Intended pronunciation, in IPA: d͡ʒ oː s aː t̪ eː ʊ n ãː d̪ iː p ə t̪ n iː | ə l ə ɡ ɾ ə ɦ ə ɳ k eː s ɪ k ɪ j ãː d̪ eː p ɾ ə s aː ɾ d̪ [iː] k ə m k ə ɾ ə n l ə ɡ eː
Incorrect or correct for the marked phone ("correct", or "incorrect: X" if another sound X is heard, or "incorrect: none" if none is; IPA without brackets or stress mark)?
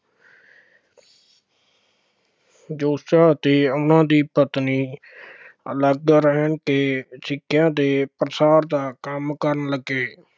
incorrect: aː